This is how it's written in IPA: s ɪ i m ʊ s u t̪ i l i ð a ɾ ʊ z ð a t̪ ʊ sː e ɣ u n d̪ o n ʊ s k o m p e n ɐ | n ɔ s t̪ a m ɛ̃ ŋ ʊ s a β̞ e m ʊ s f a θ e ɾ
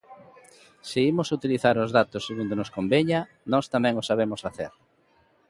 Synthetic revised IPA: s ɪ i m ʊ s u t̪ i l i θ a ɾ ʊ z ð a t̪ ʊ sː e ɣ u n d̪ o n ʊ s k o m b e ɲ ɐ | n ɔ s t̪ a m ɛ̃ ŋ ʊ s a β̞ e m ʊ s f a θ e ɾ